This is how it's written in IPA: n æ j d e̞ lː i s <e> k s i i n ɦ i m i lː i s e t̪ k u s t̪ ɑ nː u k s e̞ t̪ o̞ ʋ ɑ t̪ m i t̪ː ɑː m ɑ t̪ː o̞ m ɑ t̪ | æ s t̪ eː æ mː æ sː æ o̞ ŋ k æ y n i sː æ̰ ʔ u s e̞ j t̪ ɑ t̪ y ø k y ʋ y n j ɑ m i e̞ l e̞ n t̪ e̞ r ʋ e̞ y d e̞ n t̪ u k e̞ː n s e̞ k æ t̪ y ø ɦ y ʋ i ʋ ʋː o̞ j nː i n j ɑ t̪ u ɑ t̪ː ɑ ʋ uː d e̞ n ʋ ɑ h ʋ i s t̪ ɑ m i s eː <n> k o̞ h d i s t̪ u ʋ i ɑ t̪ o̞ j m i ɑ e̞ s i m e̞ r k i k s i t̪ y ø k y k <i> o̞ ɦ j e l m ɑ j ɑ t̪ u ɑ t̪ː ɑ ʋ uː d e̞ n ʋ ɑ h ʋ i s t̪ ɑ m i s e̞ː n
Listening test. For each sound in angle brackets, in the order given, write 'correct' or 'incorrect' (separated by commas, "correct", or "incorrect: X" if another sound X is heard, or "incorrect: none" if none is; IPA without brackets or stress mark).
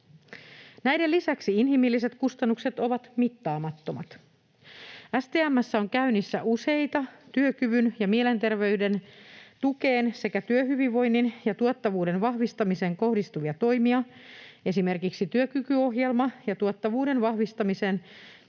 incorrect: æ, incorrect: ŋ, incorrect: y